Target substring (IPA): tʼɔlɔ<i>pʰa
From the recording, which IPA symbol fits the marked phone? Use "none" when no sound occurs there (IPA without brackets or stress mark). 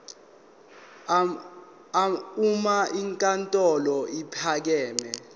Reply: i